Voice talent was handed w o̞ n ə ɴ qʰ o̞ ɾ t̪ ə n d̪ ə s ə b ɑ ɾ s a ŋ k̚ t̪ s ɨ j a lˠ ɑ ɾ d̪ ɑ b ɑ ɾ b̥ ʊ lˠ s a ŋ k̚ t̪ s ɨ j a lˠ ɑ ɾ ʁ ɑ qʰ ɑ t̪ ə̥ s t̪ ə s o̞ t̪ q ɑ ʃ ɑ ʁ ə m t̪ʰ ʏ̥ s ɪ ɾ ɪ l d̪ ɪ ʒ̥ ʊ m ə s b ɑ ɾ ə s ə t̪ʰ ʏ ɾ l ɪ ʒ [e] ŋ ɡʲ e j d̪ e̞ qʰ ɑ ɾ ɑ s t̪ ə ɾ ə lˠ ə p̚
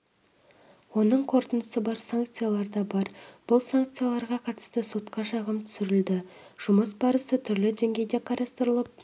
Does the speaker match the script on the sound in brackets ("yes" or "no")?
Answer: yes